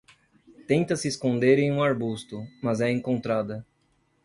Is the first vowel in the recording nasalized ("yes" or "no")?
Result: yes